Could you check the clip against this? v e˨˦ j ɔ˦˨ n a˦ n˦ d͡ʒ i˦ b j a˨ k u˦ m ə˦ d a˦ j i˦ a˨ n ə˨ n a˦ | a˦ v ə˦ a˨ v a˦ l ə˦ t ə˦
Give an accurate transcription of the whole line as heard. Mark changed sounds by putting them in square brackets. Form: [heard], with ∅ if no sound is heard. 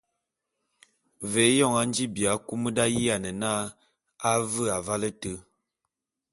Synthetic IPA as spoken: v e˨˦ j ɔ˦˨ [ŋ] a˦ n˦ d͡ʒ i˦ b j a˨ k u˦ m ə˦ d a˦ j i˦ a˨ n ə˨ n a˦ | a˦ v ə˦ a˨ v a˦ l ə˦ t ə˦